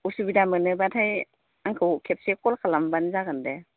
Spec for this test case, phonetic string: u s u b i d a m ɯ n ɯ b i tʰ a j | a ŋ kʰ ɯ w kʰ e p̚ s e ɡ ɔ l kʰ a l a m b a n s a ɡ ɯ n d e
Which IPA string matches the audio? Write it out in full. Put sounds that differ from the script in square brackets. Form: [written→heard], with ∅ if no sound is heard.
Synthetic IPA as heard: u s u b i d a m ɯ n ɯ b [i→a] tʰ a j | a ŋ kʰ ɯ w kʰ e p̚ s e [ɡ→k] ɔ l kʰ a l a m b a n [s→z] a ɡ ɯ n d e

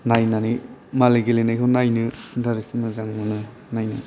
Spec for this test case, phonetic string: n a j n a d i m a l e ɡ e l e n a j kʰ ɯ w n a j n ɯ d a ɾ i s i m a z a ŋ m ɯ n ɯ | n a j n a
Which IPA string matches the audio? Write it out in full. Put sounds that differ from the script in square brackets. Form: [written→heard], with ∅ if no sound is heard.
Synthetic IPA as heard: n a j n a [d→n] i m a l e ɡ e l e n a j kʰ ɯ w n a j n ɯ d a ɾ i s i m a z a ŋ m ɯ n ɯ | n a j n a

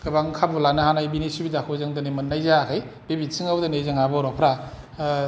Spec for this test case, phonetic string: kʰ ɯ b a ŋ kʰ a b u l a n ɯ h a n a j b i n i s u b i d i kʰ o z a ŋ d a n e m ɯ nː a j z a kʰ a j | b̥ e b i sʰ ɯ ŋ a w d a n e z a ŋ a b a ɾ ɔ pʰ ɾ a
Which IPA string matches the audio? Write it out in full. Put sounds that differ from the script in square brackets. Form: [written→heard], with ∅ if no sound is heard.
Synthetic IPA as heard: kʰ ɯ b a ŋ kʰ a b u l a n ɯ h a n a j b i n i s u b i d [i→a] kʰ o z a ŋ d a n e m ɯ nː a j z a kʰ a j | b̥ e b i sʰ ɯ ŋ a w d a n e z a ŋ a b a ɾ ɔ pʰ ɾ a

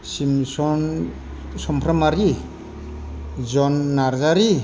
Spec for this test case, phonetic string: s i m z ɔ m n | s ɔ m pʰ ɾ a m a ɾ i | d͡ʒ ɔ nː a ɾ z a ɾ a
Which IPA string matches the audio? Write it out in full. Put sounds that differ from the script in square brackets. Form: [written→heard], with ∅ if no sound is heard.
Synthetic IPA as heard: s i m [z→s] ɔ [m→∅] n | s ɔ m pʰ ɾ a m a ɾ i | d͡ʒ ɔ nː a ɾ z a ɾ [a→i]

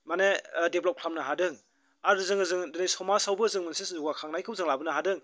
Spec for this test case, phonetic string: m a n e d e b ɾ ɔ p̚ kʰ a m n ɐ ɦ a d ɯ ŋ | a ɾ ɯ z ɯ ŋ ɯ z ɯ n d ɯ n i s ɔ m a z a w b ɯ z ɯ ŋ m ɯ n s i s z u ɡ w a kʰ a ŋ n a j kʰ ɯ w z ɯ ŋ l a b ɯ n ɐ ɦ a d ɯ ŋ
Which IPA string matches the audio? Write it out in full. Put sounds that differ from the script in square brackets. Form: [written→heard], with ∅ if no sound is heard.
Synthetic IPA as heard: m a n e d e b [ɾ→l] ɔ p̚ kʰ a m n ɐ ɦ a d ɯ ŋ | a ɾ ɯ z ɯ ŋ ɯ z ɯ [n→ŋ] d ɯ n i s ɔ m a [z→s] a w b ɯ z ɯ ŋ m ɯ n s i s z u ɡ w a kʰ a ŋ n a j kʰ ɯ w z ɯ ŋ l a b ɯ n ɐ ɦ a d ɯ ŋ

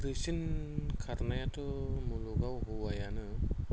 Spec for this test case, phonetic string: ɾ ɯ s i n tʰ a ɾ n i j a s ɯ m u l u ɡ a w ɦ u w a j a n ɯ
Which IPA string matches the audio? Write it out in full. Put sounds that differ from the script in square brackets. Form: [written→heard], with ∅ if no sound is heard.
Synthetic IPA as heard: ɾ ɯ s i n [tʰ→kʰ] a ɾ n [i→a] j a [s→t] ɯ m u l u ɡ a w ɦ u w a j a n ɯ

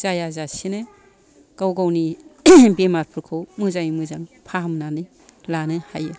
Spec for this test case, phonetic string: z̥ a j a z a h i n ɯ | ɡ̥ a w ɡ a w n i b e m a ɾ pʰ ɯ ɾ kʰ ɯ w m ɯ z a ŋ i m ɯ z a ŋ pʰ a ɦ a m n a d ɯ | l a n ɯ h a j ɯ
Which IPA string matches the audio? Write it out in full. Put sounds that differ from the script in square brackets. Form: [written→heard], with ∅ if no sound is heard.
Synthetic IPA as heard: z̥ a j a z a [h→s] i n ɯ | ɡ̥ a w ɡ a w n i b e m a ɾ pʰ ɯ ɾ kʰ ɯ w m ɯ z a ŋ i m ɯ z a ŋ pʰ a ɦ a m n a [d→n] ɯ | l a n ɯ h a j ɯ

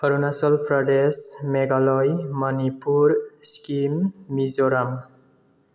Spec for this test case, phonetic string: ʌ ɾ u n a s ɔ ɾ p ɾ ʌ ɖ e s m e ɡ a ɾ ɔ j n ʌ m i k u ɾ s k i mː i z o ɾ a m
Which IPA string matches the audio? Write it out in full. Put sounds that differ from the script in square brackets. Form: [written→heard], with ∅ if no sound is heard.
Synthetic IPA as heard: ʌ ɾ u n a s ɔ [ɾ→l] p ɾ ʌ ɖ e s m e ɡ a [ɾ→l] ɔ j [n→m] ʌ [m→n] i [k→p] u ɾ s k i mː i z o ɾ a m

